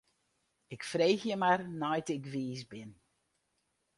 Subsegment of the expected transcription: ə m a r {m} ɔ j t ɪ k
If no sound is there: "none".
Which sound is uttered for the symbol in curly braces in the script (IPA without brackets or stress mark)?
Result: n